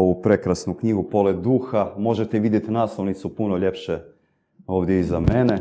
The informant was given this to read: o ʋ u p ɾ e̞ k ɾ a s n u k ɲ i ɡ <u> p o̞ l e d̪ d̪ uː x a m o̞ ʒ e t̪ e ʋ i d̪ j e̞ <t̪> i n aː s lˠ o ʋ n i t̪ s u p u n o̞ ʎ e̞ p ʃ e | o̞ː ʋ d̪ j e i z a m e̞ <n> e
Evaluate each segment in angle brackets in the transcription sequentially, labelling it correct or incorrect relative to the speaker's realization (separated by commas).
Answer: correct, correct, correct